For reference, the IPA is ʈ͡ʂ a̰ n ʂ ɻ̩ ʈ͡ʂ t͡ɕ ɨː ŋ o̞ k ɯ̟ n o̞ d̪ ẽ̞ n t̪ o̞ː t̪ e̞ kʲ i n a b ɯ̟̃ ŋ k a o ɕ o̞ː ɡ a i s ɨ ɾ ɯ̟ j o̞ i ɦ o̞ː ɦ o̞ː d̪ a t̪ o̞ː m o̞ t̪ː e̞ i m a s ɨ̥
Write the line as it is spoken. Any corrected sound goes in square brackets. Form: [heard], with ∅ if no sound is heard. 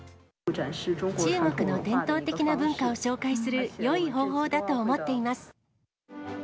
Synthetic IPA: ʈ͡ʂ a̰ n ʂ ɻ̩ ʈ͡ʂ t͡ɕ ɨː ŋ o̞ k ɯ̟ n o̞ d̪ ẽ̞ n t̪ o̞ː t̪ e̞ kʲ i n a b ɯ̟̃ ŋ k a o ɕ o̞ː [k] a i s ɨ ɾ ɯ̟ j o̞ i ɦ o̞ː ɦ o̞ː d̪ a t̪ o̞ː m o̞ t̪ː e̞ i m a s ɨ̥